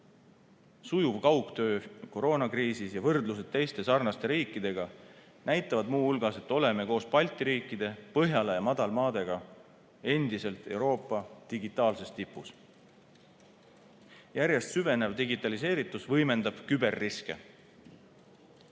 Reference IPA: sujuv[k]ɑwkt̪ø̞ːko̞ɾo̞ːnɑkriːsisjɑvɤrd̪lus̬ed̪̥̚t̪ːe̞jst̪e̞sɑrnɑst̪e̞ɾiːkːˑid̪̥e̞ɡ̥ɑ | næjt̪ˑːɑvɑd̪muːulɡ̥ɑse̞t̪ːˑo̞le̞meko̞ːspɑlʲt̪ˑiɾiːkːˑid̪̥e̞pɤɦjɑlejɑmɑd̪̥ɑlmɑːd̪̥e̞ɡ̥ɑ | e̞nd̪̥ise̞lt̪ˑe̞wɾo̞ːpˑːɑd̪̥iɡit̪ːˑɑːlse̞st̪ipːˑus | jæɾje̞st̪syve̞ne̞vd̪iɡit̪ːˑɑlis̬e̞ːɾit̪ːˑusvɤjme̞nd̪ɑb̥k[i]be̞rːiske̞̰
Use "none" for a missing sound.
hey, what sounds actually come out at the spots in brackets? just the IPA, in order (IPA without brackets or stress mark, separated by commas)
k, y